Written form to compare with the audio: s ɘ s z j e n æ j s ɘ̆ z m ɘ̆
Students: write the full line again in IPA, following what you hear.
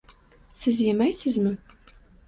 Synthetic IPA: s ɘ z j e m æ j s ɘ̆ z m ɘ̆